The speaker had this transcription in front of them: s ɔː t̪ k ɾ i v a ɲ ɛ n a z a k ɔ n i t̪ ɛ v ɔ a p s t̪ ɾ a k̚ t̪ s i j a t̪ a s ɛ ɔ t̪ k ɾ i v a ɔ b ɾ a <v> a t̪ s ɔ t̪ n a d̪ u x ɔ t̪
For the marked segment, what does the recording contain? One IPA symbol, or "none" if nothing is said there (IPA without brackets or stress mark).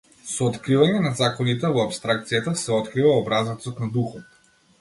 z